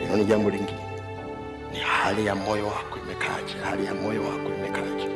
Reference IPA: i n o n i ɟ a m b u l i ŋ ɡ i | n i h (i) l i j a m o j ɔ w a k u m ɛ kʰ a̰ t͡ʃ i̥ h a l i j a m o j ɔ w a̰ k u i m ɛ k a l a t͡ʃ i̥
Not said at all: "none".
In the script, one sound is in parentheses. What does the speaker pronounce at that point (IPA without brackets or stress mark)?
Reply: a